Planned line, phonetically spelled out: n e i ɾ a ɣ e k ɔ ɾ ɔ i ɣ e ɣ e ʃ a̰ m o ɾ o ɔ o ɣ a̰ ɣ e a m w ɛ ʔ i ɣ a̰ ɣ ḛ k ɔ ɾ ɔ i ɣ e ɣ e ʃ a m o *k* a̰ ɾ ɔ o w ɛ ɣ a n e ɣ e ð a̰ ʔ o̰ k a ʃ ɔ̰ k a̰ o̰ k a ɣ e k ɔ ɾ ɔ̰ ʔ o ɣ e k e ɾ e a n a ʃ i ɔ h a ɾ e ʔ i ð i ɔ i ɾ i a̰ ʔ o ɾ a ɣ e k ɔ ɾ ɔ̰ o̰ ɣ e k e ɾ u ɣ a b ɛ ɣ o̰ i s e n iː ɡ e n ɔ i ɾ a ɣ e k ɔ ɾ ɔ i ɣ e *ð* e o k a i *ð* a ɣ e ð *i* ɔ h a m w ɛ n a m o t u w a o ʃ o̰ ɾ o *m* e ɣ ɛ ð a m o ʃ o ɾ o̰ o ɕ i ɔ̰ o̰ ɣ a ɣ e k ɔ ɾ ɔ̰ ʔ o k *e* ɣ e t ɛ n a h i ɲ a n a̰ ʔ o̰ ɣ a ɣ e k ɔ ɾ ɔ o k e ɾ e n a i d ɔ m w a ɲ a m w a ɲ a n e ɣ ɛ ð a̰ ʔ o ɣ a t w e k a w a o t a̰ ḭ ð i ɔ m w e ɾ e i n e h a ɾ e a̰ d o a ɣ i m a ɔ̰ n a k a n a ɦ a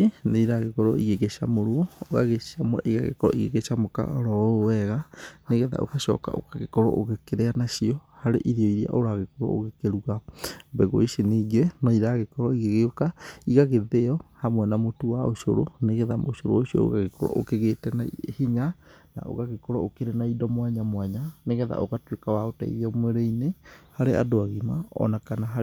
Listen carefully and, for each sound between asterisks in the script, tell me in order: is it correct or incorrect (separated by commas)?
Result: correct, incorrect, incorrect, incorrect, incorrect, correct